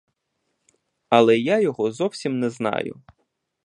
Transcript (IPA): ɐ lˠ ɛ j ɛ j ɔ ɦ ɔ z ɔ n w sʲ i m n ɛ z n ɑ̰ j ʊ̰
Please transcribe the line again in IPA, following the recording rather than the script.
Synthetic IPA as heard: ɐ lˠ ɛ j a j ɔ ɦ ɔ z ɔ w sʲ i m n ɛ z n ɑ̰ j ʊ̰